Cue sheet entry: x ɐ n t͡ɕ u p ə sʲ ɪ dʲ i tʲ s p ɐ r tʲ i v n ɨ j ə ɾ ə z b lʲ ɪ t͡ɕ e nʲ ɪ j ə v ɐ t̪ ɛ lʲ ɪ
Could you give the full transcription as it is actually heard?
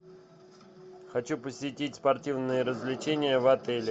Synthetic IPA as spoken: x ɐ t͡ɕ u p ə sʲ ɪ tʲ i tʲ s p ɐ r tʲ i v n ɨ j ə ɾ ə z v lʲ ɪ t͡ɕ e nʲ ɪ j ə v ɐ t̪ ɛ lʲ ɪ